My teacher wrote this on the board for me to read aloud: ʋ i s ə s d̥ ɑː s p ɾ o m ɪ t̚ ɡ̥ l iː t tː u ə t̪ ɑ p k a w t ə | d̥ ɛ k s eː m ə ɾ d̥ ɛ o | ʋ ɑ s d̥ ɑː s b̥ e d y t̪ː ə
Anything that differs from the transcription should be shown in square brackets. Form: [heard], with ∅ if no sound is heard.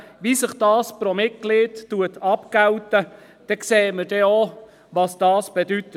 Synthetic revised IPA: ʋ i s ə [χ] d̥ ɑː s p ɾ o m ɪ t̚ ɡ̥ l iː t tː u ə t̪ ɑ p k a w t ə | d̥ ɛ k s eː m ə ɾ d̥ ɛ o | ʋ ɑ s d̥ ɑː s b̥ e d y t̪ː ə